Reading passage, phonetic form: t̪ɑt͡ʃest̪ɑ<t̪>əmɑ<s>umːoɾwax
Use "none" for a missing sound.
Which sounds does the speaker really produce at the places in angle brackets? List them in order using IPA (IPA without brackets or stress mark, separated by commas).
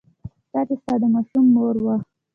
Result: d̪, ʃ